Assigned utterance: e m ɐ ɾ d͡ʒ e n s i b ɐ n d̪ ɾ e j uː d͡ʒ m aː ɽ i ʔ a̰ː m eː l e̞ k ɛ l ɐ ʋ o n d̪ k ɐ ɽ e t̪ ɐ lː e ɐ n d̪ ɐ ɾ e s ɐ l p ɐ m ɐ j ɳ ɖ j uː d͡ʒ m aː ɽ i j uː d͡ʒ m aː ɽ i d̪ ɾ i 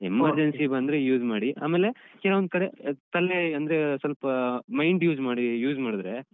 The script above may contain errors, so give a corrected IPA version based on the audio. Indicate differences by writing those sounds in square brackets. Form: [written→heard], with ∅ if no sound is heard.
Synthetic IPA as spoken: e m ɐ ɾ d͡ʒ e n s i b ɐ n d̪ ɾ e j uː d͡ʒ m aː ɽ i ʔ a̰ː m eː l e̞ k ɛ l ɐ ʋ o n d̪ k ɐ ɽ e t̪ ɐ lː e ɐ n d̪ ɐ ɾ e s ɐ l p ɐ m ɐ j ɳ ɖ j uː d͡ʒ m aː ɽ i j uː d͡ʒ m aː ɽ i d̪ ɾ [i→e]